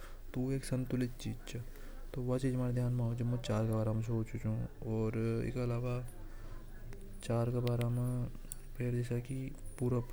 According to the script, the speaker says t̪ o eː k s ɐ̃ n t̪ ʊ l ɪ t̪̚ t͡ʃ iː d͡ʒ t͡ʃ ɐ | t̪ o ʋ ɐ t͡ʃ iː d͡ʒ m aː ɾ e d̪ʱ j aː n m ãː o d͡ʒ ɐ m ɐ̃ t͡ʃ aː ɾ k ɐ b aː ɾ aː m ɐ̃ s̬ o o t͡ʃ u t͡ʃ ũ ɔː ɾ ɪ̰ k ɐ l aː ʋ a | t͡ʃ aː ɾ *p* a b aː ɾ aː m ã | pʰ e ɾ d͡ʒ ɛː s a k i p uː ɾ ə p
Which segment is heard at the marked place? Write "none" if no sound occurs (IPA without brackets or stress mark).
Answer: k